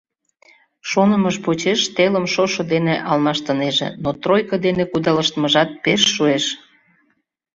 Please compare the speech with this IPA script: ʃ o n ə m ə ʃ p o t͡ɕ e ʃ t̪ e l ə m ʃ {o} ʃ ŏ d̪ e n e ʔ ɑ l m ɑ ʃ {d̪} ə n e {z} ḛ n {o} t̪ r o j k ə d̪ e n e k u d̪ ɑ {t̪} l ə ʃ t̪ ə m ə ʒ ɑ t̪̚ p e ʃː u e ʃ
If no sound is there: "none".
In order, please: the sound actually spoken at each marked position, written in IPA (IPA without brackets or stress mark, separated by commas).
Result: o, t̪, ʒ, o, none